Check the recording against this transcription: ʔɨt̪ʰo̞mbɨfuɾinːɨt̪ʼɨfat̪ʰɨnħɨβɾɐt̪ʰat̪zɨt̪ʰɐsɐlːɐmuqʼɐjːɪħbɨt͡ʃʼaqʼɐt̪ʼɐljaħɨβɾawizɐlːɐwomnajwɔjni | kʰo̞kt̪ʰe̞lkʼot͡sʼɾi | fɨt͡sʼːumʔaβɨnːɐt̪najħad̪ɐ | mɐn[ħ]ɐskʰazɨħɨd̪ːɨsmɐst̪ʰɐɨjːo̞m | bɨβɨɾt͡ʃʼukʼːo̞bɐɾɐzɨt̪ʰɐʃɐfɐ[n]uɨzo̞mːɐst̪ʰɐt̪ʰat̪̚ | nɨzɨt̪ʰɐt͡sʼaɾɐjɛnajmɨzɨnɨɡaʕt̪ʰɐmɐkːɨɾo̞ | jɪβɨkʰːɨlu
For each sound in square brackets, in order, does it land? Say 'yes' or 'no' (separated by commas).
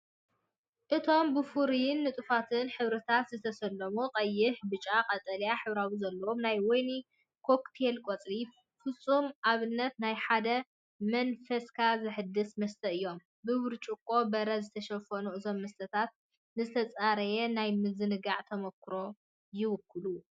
no, yes